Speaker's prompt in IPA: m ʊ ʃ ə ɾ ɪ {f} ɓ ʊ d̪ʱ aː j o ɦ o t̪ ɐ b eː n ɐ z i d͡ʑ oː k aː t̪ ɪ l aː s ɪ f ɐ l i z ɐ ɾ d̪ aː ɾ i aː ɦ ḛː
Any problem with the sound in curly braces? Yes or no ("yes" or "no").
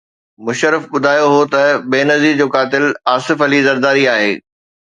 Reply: no